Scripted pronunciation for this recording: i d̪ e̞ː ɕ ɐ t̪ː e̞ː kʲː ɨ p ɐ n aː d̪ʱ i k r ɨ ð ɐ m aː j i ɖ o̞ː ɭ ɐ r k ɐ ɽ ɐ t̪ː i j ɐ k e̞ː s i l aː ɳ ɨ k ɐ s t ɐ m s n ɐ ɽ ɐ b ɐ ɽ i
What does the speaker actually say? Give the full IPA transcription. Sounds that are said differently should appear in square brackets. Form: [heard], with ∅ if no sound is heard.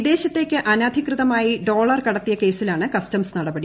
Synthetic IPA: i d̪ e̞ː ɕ ɐ t̪ː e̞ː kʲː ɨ [ʔ] ɐ n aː d̪ʱ i k r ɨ ð ɐ m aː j i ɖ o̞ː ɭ ɐ r k ɐ ɽ ɐ t̪ː i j ɐ k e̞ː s i l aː ɳ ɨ k ɐ s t ɐ m s n ɐ ɽ ɐ b ɐ ɽ i